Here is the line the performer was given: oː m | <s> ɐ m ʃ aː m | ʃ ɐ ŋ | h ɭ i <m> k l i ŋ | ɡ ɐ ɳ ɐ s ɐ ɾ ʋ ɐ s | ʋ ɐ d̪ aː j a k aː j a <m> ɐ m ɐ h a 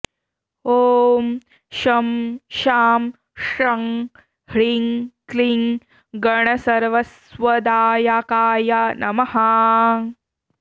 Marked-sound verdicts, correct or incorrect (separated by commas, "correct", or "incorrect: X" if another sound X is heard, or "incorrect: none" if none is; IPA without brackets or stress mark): incorrect: ʃ, incorrect: ŋ, incorrect: n